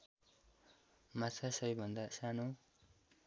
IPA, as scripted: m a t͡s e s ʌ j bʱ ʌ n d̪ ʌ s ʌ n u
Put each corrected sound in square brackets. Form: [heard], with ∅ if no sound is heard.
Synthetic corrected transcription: m a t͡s [a] s ʌ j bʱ ʌ n d̪ [a] s [a] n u